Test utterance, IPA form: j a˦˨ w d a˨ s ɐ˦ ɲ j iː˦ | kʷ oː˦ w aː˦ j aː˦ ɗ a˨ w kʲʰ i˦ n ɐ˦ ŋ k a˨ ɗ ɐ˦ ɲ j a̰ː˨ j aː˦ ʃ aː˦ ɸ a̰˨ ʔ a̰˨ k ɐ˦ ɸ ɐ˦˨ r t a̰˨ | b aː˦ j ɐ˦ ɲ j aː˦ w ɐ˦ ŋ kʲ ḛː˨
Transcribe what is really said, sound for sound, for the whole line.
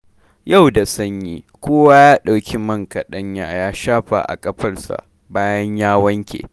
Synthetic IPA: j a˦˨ w d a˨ s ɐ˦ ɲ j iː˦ | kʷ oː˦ w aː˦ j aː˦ ɗ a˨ w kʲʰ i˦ m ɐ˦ ŋ k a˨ ɗ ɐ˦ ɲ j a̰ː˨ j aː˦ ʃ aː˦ ɸ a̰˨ ʔ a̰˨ kʼ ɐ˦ ɸ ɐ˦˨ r s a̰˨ | b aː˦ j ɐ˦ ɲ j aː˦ w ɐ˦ ŋ kʲ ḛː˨